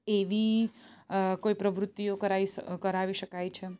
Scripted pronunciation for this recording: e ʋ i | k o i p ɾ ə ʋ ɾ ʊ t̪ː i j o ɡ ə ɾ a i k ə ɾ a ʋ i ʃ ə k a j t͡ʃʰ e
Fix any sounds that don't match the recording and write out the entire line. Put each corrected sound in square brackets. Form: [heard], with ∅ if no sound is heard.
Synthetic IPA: e ʋ i | k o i p ɾ ə ʋ ɾ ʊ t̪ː i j o [k] ə ɾ a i k ə ɾ a ʋ i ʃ ə k a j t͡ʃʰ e